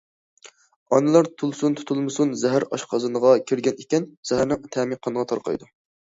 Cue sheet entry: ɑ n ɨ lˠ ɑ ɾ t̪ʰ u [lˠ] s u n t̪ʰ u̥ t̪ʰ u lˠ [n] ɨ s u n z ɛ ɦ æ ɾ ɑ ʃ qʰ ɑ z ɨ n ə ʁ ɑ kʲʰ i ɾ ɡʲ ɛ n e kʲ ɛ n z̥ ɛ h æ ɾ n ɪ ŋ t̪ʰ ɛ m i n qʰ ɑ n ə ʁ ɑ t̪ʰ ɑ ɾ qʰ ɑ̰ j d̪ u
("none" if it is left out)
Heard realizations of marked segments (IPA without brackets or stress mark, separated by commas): lˠ, m